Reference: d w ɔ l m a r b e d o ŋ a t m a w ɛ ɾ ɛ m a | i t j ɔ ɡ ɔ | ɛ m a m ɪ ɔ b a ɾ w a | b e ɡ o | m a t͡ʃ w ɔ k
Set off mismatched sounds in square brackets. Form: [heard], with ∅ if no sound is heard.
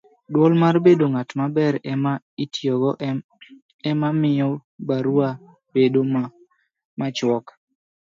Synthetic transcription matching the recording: d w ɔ l m a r b e d o ŋ a t m a [b] ɛ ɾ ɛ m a | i t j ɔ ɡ ɔ | ɛ m a m ɪ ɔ b a ɾ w a | b e [d] o | m a t͡ʃ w ɔ k